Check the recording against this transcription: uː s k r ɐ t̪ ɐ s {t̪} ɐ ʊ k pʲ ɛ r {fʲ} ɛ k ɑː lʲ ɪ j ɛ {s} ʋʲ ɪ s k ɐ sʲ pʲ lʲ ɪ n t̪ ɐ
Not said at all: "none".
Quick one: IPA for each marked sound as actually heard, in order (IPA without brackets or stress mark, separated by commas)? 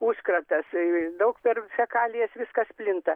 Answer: d̪, fʲ, s